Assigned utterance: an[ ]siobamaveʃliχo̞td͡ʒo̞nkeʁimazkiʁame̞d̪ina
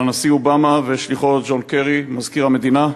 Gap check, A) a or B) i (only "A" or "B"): A